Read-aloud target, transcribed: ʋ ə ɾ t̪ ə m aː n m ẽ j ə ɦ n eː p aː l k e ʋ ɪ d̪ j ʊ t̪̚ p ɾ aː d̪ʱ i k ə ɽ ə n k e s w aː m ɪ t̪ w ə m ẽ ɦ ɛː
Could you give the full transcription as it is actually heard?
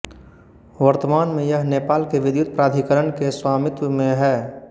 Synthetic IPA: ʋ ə ɾ t̪ ə m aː n m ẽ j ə ɦ n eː p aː l k e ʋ ɪ d̪ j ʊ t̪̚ p ɾ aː d̪ʱ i k ə ɾ ə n k e s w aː m ɪ t̪ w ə m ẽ ɦ ɛː